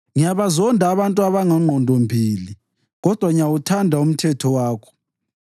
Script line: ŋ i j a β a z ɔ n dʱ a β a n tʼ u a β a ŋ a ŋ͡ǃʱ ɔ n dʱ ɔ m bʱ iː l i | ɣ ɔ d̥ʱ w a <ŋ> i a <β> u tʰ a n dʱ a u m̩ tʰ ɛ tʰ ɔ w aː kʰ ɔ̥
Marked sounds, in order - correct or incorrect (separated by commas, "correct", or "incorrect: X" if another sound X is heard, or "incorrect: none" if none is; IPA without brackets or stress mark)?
correct, incorrect: w